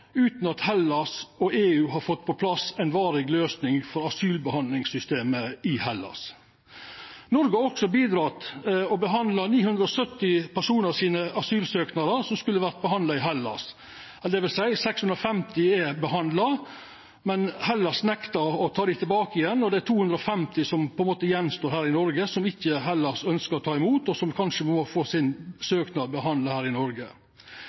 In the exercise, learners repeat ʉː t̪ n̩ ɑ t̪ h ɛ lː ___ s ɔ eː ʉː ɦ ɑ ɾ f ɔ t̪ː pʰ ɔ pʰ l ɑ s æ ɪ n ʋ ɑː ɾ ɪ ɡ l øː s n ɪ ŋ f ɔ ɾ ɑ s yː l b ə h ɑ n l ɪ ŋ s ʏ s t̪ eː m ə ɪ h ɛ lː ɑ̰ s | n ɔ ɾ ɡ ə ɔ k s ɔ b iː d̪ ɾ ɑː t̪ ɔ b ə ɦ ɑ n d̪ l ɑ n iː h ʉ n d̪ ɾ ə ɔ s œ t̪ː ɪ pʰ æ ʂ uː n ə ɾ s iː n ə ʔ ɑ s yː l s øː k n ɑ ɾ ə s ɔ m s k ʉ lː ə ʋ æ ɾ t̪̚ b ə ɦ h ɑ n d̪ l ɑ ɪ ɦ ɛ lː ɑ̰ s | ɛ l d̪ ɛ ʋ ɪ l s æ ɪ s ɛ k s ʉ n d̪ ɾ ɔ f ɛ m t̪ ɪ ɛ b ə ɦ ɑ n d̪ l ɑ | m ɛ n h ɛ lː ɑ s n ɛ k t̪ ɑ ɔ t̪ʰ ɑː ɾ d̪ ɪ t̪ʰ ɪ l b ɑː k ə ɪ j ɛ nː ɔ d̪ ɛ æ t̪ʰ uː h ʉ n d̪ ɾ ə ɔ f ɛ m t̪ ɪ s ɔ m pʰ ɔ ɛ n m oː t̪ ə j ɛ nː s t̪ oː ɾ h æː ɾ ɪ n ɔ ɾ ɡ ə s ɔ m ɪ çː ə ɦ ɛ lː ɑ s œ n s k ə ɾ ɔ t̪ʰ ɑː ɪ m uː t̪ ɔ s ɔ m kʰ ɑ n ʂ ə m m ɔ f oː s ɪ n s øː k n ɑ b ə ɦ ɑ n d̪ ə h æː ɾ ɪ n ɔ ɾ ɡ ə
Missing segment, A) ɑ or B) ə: A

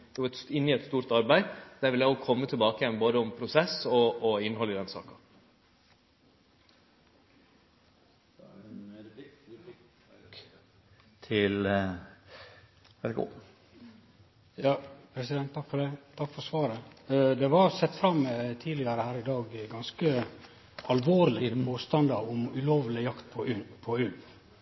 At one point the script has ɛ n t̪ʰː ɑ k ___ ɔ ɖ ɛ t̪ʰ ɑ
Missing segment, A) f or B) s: A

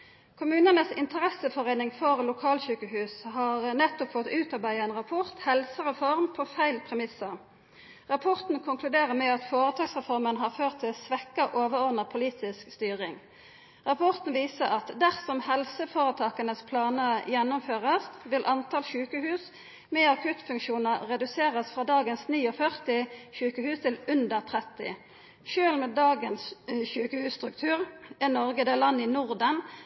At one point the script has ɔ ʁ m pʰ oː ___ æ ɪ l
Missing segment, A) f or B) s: A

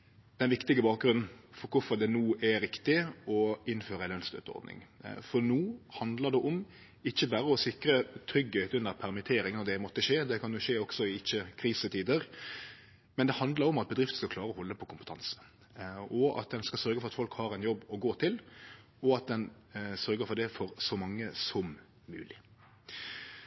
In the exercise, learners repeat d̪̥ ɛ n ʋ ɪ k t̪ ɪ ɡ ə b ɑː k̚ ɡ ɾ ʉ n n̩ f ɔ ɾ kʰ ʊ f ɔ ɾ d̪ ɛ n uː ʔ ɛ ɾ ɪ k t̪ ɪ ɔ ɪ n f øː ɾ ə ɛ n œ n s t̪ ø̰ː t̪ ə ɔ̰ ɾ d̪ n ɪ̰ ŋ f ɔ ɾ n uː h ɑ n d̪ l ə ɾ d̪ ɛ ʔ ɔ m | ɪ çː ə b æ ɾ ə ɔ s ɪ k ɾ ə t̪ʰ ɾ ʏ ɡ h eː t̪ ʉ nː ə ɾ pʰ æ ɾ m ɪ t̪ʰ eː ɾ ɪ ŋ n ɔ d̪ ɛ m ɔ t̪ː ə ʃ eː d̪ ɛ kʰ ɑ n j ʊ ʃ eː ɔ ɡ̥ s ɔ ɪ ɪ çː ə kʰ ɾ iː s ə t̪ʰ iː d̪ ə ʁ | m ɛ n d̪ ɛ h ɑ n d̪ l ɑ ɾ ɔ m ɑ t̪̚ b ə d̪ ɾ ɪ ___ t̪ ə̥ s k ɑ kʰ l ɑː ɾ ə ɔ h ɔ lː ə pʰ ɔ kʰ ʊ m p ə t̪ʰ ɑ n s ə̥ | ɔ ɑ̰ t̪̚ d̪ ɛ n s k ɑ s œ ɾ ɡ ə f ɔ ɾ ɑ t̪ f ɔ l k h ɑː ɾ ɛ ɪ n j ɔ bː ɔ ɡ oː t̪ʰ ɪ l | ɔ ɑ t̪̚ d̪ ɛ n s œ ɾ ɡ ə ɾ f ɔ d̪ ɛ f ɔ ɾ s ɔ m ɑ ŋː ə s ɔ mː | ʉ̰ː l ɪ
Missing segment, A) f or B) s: A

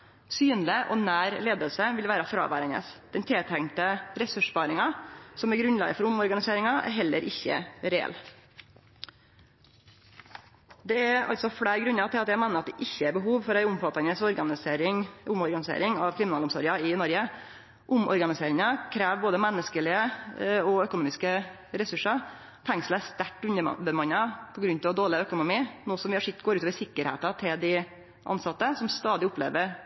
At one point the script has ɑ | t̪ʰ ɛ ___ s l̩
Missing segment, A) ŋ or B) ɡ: A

